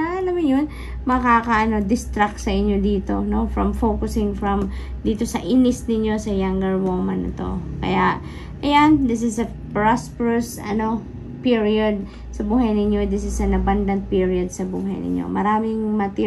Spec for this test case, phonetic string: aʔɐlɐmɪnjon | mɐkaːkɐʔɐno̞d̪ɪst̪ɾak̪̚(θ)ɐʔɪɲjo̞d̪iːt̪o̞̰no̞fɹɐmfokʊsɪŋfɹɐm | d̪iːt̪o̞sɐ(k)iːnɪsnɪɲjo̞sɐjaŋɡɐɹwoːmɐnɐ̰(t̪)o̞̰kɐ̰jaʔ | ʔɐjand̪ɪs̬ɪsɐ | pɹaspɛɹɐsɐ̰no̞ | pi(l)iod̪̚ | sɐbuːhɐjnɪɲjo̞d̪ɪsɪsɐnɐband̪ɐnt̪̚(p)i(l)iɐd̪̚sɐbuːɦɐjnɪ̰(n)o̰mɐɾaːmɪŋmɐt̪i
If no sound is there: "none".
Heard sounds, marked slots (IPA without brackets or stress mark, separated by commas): s, ʔ, t̪, ɹ, p, ɹ, ɲ